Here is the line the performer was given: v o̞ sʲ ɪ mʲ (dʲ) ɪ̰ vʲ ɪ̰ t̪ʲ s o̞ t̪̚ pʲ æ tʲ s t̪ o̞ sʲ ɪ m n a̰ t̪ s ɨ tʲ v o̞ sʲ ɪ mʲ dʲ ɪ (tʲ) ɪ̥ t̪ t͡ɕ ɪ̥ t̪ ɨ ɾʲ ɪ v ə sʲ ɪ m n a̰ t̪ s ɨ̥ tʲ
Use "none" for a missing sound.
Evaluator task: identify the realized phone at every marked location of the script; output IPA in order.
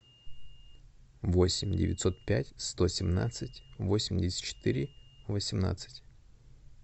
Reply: dʲ, sʲ

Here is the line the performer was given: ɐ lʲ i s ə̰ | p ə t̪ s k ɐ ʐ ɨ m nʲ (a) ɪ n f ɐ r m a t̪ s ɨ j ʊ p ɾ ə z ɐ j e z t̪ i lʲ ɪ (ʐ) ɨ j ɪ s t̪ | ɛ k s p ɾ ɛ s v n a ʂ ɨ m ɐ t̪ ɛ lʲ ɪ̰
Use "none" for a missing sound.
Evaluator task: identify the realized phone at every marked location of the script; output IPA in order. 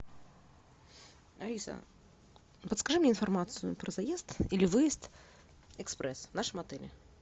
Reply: e, v

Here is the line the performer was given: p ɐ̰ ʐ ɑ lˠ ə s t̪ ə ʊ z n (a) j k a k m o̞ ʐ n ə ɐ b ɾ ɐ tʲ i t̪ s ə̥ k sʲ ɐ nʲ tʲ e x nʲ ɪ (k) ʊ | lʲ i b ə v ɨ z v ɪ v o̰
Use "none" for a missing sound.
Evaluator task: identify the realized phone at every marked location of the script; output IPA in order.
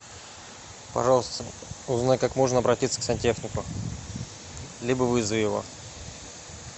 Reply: a, k

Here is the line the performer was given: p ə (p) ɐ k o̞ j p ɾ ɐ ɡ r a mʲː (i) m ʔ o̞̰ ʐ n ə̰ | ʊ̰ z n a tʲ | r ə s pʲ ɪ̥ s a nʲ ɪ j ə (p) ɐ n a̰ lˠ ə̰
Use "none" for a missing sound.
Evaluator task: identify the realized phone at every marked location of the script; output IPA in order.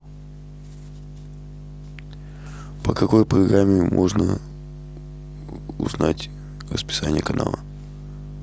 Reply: k, ɪ, k

